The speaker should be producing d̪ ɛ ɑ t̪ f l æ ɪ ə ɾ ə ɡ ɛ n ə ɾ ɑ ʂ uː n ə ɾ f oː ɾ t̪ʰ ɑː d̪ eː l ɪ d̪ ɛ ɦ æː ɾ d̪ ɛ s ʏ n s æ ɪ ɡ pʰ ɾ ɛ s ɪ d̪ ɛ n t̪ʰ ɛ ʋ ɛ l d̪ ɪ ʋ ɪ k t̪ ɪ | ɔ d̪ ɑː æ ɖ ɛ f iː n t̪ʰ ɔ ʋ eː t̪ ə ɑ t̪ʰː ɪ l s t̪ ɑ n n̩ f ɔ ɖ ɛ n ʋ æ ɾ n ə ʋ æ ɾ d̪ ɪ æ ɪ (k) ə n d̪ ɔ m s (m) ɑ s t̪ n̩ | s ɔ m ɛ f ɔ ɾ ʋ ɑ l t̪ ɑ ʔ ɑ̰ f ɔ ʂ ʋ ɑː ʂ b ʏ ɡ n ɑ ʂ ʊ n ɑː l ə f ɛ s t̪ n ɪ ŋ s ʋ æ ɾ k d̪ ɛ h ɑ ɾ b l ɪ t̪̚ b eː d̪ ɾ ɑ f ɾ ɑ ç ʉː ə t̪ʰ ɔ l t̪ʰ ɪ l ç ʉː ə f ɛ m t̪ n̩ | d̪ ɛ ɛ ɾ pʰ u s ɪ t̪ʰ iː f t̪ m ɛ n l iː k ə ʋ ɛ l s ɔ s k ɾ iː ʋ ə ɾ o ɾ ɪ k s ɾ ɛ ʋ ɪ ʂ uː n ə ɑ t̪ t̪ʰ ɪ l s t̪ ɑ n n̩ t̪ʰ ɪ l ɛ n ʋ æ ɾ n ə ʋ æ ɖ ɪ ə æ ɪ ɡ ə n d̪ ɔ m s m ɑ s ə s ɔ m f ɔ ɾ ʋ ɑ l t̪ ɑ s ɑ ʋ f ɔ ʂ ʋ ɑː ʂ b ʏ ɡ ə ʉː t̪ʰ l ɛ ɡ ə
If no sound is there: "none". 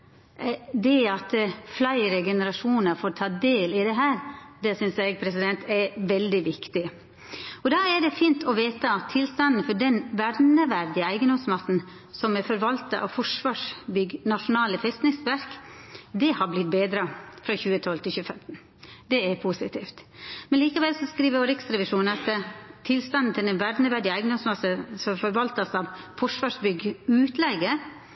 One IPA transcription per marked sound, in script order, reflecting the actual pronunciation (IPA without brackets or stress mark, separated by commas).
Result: ɡ, m